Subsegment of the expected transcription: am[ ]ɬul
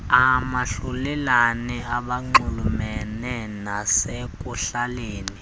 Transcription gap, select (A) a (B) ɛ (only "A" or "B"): A